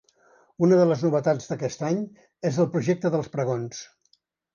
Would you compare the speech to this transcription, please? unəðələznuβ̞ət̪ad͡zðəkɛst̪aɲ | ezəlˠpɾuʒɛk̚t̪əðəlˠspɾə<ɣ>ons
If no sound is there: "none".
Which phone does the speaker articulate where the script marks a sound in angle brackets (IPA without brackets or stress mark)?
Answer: ɣ